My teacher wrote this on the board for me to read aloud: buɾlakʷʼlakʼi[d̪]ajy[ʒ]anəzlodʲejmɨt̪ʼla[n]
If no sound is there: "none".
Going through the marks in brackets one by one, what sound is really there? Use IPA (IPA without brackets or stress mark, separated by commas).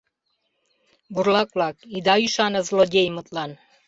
d̪, ʃ, n